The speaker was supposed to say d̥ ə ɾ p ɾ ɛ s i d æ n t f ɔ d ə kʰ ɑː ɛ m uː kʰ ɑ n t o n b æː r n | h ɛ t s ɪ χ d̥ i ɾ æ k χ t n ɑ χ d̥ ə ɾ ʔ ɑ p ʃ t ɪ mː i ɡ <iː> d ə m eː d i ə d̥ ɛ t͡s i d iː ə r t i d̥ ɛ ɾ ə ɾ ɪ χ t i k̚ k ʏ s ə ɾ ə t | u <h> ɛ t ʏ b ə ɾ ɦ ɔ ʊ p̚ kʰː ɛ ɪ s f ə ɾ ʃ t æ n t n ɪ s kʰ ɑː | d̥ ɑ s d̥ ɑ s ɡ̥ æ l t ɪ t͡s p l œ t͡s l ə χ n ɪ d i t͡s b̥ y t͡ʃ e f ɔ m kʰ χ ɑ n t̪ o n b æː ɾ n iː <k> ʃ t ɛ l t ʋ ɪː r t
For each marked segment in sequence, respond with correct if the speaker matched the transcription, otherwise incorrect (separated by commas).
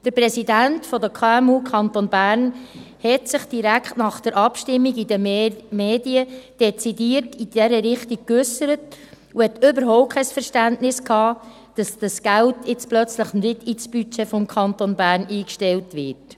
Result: incorrect, correct, correct